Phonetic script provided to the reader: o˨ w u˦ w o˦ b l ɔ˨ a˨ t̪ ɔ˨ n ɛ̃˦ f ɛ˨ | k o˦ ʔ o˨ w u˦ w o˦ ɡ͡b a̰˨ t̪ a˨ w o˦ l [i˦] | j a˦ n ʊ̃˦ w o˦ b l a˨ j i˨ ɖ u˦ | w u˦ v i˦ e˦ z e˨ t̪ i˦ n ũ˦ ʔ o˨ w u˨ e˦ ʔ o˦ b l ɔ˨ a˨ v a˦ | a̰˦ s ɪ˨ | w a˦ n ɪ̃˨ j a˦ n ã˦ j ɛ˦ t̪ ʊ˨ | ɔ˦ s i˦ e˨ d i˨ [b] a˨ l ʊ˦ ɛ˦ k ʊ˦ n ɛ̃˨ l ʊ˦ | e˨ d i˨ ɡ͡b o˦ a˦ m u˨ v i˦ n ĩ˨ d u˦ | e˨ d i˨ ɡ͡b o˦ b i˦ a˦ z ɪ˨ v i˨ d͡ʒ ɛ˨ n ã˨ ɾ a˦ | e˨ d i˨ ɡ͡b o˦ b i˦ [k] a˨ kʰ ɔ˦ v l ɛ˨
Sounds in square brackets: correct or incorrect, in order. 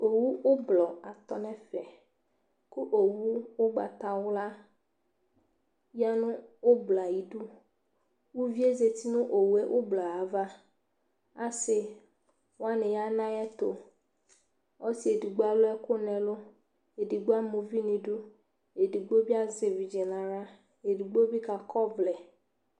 incorrect: a˦, incorrect: ɡ͡b, correct

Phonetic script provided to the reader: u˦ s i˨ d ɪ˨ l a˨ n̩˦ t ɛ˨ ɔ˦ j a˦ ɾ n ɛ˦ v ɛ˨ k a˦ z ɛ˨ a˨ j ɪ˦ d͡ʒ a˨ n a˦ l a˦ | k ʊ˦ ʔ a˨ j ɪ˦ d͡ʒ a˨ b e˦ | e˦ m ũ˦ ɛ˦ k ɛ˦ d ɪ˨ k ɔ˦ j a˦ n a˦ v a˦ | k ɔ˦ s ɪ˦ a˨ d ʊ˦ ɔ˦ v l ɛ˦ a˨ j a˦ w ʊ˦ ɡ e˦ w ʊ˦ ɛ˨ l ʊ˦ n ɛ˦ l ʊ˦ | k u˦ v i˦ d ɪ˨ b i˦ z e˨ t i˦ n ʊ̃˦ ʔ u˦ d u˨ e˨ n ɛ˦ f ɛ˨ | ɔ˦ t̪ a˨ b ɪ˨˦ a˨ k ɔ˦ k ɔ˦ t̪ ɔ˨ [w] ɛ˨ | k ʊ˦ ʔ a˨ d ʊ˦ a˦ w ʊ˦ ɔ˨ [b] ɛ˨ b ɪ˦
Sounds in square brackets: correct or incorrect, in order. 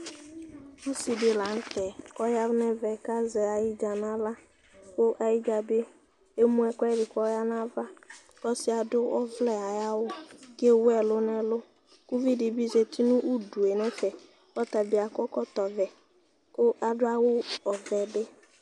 incorrect: v, incorrect: v

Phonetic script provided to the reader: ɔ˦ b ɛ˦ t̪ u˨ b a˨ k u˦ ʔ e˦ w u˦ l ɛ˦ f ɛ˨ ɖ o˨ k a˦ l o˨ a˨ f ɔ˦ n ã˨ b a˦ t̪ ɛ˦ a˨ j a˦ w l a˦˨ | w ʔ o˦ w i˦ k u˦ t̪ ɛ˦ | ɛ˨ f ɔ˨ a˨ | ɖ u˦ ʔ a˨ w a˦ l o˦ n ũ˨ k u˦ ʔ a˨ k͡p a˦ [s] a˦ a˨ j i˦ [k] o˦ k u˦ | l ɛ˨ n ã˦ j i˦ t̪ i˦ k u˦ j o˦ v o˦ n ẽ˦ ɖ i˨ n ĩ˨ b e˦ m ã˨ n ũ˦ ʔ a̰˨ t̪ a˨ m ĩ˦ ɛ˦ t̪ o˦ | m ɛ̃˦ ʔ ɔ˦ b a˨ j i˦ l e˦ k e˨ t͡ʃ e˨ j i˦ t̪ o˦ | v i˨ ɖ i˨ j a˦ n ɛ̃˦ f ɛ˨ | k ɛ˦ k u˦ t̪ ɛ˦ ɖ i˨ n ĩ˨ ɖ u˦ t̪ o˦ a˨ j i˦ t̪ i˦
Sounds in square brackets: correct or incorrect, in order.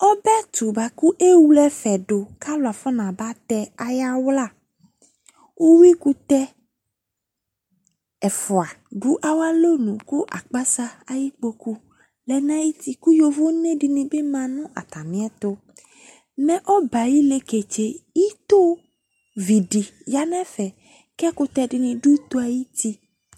correct, incorrect: k͡p

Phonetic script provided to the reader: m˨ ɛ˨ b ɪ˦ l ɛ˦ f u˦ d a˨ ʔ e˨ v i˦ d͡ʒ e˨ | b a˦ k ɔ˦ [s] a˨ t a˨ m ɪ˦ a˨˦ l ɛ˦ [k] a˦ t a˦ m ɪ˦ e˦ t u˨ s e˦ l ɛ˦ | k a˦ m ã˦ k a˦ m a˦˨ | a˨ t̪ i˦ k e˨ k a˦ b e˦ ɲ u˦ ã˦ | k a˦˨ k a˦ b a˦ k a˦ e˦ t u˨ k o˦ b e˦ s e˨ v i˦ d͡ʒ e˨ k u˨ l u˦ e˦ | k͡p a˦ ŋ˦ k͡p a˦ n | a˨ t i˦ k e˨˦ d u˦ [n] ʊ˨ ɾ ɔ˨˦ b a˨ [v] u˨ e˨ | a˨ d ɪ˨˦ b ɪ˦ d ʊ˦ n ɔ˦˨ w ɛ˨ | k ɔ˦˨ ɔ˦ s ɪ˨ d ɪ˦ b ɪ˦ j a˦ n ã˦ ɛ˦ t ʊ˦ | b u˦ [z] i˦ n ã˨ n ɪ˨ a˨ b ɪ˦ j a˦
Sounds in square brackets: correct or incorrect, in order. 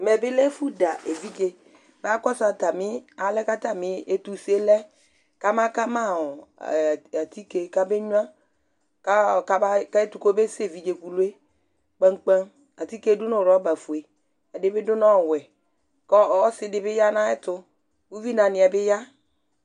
correct, correct, correct, incorrect: f, incorrect: v

